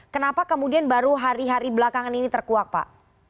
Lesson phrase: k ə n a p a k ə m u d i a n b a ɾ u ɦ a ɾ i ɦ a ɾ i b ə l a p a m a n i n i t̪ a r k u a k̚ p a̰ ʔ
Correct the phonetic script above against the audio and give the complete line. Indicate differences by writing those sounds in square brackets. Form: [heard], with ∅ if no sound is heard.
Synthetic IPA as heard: k ə n a p a k ə m u d i a n b a ɾ u ɦ a ɾ i ɦ a ɾ i b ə l a [k] a [ŋ] a n i n i t̪ [ə] r k u a k̚ p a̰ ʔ